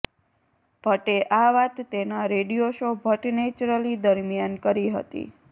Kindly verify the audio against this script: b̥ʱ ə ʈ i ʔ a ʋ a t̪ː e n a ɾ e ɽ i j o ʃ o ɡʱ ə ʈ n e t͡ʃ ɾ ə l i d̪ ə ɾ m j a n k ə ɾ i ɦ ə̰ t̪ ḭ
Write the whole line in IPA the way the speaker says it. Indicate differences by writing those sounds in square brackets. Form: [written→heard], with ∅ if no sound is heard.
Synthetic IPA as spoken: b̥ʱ ə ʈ [i→e] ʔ a ʋ a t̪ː e n a ɾ e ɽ i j o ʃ o [ɡʱ→bʱ] ə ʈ n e t͡ʃ ɾ ə l i d̪ ə ɾ m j a n k ə ɾ i ɦ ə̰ t̪ ḭ